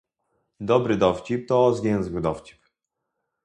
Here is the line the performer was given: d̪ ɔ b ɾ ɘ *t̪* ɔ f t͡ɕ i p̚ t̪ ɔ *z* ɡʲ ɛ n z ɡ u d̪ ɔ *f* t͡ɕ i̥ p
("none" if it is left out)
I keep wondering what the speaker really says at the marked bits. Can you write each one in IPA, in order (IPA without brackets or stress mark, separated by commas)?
d̪, z, f